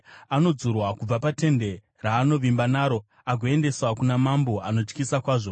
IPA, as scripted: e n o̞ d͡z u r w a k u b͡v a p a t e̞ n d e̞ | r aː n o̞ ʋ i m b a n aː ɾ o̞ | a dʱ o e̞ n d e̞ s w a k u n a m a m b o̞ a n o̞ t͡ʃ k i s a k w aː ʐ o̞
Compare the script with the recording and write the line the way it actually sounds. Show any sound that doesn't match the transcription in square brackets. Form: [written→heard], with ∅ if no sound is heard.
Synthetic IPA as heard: [e→a] n o̞ d͡z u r w a k u b͡v a p a t e̞ n d e̞ | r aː n o̞ ʋ i m b a n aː ɾ o̞ | a [dʱ→ɡʱ] o e̞ n d e̞ s w a k u n a m a m b o̞ a n o̞ t͡ʃ k i s a k w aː ʐ o̞